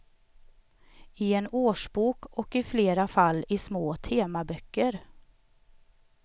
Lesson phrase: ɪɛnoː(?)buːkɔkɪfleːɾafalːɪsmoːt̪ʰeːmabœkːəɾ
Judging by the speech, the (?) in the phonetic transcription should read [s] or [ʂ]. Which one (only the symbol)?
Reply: ʂ